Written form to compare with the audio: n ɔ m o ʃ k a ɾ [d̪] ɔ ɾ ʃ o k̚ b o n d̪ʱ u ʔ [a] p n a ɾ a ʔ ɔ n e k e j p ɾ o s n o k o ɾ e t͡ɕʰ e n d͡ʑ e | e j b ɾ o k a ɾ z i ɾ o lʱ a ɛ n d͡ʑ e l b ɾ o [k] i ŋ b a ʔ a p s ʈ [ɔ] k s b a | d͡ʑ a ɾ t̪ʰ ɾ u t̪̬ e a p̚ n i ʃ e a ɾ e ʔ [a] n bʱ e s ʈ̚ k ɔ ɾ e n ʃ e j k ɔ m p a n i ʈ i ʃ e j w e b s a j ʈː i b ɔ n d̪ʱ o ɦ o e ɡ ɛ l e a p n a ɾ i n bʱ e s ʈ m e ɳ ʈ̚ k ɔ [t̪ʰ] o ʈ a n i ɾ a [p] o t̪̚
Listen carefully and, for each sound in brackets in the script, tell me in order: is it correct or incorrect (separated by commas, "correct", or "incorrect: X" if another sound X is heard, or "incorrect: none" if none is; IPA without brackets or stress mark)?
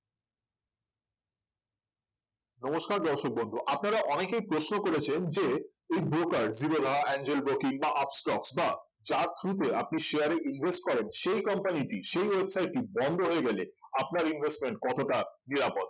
correct, correct, correct, correct, incorrect: i, incorrect: t̪, correct